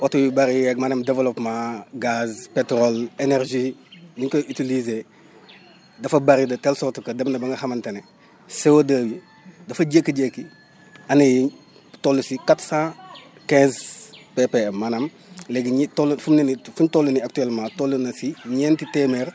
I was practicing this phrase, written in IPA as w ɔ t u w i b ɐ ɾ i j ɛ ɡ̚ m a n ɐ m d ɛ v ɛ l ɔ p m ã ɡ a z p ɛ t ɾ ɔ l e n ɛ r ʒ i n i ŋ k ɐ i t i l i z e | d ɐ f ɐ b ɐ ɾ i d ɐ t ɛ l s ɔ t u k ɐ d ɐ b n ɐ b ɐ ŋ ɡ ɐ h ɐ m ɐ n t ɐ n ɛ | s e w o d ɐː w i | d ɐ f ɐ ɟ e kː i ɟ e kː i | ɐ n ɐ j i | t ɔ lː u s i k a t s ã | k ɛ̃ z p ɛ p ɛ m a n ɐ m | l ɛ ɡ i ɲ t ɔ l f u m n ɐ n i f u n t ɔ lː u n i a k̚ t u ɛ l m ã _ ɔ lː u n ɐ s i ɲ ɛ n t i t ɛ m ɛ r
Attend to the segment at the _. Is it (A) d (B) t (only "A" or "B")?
B